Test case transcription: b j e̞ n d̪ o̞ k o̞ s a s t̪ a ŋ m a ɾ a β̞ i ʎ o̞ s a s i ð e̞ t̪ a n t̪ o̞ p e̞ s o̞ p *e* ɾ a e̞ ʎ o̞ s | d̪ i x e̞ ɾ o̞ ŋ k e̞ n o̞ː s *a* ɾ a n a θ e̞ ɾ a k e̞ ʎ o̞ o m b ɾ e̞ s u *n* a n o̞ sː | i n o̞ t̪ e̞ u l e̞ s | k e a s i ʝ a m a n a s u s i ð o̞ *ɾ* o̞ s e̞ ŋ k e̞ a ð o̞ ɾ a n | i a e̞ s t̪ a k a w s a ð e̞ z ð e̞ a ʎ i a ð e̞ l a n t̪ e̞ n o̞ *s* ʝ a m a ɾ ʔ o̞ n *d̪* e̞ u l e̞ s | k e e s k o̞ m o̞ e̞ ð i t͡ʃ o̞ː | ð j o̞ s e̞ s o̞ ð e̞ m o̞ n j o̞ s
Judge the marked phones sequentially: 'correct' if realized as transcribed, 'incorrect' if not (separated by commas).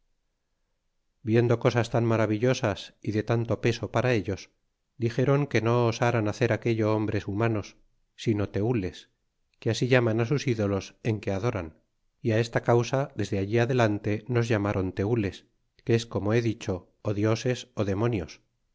incorrect, correct, incorrect, incorrect, incorrect, incorrect